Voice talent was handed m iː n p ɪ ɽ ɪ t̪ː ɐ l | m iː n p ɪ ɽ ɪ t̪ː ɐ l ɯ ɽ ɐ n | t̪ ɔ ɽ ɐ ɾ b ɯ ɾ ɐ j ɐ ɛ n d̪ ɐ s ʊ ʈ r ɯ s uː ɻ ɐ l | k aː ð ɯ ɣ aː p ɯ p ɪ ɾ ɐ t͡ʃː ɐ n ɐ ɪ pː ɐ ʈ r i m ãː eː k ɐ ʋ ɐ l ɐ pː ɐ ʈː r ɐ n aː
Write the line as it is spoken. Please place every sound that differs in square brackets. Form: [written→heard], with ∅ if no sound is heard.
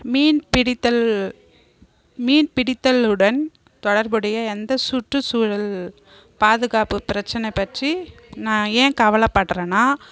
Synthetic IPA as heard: m iː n p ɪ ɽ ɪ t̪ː ɐ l | m iː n p ɪ ɽ ɪ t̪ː ɐ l ɯ ɽ ɐ n | t̪ ɔ ɽ ɐ ɾ b ɯ [ɾ→ɽ] ɐ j ɐ ɛ n d̪ ɐ s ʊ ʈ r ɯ s uː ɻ ɐ l | [k→p] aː ð ɯ ɣ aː p ɯ p ɪ ɾ ɐ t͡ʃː ɐ n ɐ ɪ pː ɐ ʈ r i [m→n] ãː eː k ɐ ʋ ɐ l ɐ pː ɐ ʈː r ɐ n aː

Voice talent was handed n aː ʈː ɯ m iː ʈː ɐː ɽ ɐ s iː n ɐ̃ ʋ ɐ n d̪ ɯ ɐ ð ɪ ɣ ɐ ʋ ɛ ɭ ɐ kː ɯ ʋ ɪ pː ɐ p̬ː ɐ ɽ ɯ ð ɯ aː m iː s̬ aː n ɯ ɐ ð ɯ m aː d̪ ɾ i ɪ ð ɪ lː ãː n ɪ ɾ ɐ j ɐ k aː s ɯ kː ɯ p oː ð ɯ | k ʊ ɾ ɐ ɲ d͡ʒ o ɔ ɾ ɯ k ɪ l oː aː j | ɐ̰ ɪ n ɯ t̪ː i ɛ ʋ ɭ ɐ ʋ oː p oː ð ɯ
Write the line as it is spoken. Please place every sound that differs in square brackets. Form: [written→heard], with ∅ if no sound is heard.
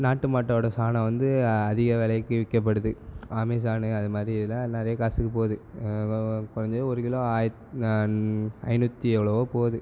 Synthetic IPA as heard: n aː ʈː ɯ m [iː→aː] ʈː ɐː ɽ ɐ s [iː→aː] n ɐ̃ ʋ ɐ n d̪ ɯ ɐ ð ɪ ɣ ɐ ʋ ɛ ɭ ɐ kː ɯ ʋ ɪ [pː→kː] ɐ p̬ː ɐ ɽ ɯ ð ɯ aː m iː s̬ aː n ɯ ɐ ð ɯ m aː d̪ ɾ i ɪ ð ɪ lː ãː n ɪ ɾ ɐ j ɐ k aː s ɯ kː ɯ p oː ð ɯ | k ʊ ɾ ɐ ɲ d͡ʒ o ɔ ɾ ɯ k ɪ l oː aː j | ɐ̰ ɪ n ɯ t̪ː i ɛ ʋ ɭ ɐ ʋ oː p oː ð ɯ

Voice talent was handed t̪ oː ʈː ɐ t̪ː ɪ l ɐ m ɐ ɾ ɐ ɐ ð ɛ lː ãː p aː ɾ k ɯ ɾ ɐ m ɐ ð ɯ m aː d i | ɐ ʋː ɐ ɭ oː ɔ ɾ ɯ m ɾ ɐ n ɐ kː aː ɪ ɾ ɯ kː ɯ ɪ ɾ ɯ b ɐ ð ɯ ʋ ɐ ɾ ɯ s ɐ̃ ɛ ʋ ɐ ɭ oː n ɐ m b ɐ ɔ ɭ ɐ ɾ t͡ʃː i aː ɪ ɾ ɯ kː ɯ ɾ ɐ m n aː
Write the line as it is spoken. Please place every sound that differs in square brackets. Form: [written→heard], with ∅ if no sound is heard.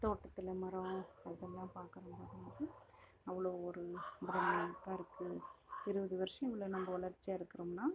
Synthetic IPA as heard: t̪ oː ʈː ɐ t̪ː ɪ l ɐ m ɐ ɾ ɐ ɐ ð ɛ lː ãː p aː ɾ k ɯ ɾ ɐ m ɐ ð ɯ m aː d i | ɐ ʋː ɐ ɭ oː ɔ ɾ ɯ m ɾ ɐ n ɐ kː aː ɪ ɾ ɯ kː ɯ ɪ ɾ ɯ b ɐ ð ɯ ʋ ɐ ɾ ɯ [s→ʂ] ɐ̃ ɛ ʋ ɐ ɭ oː n ɐ m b ɐ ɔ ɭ ɐ ɾ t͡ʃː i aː ɪ ɾ ɯ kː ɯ ɾ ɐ m n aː

